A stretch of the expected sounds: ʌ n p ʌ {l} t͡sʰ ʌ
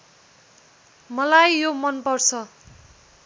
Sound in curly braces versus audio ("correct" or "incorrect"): incorrect